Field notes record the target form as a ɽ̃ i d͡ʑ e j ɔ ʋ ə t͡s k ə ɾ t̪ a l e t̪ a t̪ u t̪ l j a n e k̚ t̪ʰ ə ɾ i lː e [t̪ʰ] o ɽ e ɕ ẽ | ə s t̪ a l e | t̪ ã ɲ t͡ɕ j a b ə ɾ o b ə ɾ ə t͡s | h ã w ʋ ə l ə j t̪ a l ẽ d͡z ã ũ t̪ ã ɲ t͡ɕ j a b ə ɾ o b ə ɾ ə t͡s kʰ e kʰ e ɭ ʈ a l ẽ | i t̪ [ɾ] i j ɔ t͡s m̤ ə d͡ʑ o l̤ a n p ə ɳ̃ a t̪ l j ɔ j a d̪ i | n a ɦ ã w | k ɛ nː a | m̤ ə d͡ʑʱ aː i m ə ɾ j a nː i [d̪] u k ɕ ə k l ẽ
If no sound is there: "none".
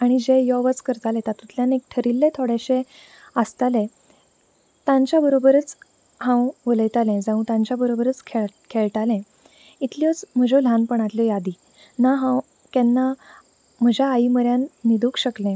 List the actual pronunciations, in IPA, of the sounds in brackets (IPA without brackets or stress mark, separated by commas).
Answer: t̪ʰ, l, d̪